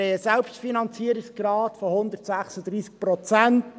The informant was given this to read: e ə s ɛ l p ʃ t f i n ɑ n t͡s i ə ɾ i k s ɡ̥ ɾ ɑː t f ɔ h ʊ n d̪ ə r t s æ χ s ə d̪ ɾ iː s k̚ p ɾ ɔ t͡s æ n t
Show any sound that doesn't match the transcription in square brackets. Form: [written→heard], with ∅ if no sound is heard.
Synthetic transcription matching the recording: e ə s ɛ l p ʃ t f i n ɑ n t͡s i ə ɾ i k s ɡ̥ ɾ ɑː t f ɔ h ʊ n d̪ ə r t s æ χ s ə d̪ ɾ iː s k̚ p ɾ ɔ t͡s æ n t